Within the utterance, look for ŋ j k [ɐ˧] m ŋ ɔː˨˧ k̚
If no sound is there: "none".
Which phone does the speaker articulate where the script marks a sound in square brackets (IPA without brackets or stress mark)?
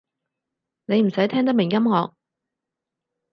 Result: ɐ˥